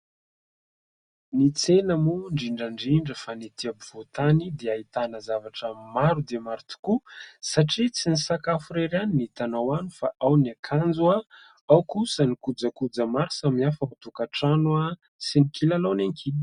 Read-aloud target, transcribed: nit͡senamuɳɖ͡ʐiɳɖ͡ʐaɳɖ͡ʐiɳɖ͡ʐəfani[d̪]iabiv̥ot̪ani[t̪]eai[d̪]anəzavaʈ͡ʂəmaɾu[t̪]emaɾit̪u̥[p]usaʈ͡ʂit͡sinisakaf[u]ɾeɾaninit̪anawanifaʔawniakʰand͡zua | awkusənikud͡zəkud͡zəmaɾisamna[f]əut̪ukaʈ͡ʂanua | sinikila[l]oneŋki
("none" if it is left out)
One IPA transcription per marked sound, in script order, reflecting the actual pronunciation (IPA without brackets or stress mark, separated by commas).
t̪, d̪, t̪, d̪, k, u, f, l